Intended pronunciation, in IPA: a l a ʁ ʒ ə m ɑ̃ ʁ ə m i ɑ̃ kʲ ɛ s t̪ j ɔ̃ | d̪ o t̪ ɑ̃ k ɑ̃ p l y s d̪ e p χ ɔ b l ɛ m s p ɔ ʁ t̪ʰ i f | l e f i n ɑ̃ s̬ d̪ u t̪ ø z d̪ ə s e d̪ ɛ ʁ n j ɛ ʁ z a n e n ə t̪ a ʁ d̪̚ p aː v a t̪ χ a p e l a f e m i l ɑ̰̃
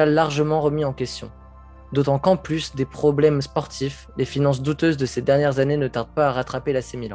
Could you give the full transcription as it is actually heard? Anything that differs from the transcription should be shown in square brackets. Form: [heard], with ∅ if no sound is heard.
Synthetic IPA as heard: a l a ʁ ʒ ə m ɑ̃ ʁ ə m i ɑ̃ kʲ ɛ s t̪ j ɔ̃ | d̪ o t̪ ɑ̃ k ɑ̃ p l y s d̪ e p χ ɔ b l ɛ m s p ɔ ʁ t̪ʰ i f | l e f i n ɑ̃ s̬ d̪ u t̪ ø z d̪ ə s e d̪ ɛ ʁ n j ɛ ʁ z a n e n ə t̪ a ʁ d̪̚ p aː [ʁ] a t̪ χ a p e l a [s] e m i l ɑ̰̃